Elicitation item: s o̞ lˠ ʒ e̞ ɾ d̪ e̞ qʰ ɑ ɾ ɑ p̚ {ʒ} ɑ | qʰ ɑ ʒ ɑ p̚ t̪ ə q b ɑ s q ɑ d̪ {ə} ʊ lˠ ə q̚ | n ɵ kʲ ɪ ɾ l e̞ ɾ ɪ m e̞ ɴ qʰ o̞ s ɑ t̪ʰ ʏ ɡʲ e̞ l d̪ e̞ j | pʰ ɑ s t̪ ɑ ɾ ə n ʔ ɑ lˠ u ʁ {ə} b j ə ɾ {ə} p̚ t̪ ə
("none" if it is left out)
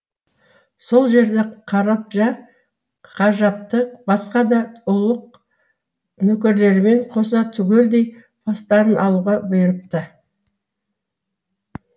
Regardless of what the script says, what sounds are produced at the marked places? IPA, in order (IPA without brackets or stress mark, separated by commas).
ʒ, ɑ, ɑ, ə